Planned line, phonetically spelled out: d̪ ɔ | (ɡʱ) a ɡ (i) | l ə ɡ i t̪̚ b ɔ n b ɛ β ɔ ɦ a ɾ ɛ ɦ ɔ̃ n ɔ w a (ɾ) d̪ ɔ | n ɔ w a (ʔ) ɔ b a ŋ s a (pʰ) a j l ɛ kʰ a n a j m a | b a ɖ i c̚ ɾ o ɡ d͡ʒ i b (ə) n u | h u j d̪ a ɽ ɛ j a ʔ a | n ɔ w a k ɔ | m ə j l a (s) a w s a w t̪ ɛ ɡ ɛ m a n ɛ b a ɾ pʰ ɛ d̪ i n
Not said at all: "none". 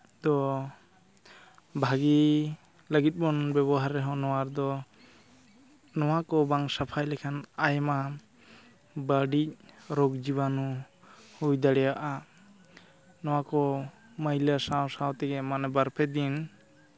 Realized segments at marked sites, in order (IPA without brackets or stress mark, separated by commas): bʱ, i, ɾ, k, pʰ, a, s